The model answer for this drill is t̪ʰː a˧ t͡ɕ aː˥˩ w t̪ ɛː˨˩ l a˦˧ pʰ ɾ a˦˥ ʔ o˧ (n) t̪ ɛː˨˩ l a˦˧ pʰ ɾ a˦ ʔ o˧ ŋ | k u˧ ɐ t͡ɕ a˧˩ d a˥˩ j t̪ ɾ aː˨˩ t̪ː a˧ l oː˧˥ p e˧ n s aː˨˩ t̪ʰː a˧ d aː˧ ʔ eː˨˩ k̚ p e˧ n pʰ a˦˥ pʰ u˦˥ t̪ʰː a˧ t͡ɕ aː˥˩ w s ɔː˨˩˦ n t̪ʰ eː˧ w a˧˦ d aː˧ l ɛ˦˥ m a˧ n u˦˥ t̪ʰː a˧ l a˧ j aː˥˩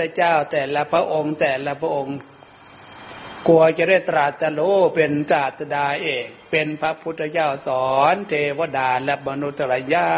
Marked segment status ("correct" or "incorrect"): incorrect